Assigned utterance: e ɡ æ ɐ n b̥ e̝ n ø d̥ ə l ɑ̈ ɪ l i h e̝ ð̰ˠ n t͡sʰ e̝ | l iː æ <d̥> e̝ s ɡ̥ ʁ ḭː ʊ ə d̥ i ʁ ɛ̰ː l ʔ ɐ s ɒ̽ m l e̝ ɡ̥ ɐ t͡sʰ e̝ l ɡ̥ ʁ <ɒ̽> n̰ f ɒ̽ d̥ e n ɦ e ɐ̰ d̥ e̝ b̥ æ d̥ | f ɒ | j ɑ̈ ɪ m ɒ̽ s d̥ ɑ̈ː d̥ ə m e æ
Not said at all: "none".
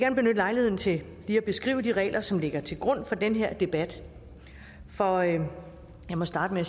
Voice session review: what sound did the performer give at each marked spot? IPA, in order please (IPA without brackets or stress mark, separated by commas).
b̥, ɔ̽